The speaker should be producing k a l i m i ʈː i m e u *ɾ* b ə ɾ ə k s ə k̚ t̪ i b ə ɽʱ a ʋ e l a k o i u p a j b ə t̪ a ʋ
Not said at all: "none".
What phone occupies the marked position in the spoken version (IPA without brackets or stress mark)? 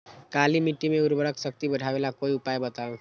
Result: ɾ